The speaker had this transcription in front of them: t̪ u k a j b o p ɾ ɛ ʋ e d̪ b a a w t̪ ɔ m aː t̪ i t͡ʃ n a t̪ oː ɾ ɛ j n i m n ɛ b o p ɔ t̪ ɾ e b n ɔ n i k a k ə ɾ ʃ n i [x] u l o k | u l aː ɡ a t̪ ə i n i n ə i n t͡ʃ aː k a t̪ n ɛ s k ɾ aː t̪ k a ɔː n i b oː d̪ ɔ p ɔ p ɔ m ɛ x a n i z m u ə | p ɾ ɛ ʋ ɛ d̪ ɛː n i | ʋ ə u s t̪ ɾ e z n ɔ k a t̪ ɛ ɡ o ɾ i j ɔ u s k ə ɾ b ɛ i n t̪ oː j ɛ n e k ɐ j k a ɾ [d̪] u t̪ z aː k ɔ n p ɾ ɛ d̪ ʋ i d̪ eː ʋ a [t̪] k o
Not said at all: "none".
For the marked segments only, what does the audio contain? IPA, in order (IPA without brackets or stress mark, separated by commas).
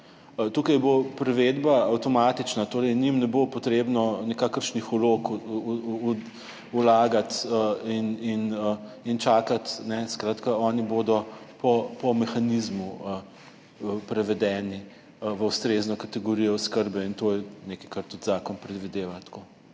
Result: x, t̪, t̪